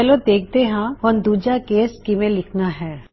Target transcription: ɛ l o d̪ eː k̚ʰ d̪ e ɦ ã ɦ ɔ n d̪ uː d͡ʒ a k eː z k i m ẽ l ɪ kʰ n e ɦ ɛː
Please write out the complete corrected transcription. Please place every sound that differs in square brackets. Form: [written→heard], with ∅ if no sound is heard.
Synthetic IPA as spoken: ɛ l o d̪ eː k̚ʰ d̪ e ɦ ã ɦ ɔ n d̪ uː d͡ʒ a k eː [z→s] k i m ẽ l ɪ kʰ n [e→a] ɦ ɛː